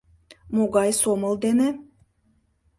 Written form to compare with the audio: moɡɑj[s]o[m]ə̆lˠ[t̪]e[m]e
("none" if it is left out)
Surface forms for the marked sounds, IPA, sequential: s, m, d̪, n

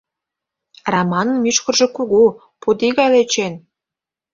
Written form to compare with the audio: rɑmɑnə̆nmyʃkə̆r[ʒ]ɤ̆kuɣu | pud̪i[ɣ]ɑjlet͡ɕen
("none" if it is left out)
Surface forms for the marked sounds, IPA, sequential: ʒ, ɣ

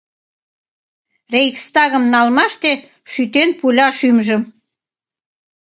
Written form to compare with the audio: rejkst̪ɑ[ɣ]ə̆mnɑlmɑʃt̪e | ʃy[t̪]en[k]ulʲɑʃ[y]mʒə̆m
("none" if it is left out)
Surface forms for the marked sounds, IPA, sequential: ɣ, t̪, p, y

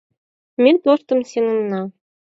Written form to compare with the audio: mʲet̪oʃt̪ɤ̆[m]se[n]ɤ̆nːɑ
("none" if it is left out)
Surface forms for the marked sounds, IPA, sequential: m, n

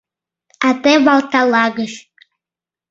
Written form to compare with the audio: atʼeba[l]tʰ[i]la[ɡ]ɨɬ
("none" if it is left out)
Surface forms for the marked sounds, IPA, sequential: l, a, ɡ

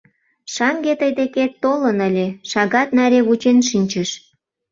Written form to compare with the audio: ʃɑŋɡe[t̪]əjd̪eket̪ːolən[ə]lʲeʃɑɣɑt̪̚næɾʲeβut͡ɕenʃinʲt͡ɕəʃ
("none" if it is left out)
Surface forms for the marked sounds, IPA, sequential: t̪, ə

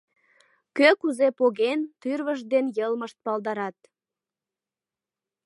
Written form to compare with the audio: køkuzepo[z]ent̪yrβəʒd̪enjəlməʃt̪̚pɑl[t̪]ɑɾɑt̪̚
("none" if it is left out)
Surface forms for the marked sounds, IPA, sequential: ɣ, d̪

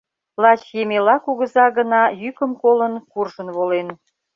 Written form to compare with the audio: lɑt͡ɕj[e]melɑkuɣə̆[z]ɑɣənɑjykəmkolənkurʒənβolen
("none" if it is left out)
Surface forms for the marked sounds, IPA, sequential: e, z

